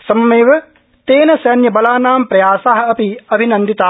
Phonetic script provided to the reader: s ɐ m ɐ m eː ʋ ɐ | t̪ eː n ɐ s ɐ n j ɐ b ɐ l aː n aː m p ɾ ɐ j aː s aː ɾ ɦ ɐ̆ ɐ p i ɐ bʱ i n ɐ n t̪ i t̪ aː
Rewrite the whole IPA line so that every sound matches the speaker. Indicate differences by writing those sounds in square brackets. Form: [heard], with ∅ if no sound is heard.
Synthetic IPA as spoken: s ɐ m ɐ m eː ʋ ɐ | t̪ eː n ɐ s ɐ n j ɐ b ɐ l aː n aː m p ɾ ɐ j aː s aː [∅] ɦ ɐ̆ ɐ p i ɐ bʱ i n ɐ n [d̪] i t̪ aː